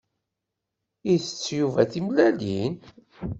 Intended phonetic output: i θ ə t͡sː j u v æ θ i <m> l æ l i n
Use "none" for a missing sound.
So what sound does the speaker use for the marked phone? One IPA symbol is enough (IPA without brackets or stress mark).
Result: m